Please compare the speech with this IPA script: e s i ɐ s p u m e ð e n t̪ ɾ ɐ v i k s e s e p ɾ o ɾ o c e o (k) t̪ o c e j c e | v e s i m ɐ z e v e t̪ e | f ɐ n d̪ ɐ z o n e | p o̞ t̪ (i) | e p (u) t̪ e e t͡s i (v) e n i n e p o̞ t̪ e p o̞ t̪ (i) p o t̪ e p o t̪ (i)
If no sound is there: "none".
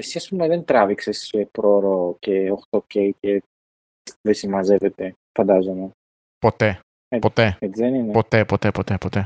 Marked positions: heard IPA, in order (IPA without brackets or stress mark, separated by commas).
x, e, o, ð, e, e